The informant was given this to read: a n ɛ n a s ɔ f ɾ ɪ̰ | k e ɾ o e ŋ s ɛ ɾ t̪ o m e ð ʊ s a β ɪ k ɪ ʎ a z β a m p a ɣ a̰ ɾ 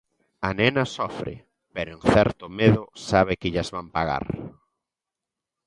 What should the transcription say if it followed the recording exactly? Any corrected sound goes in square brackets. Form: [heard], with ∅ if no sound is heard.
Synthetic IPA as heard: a n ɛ n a s ɔ f ɾ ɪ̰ | [p] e ɾ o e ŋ [θ] ɛ ɾ t̪ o m e ð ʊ s a β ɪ k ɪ ʎ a z β a m p a ɣ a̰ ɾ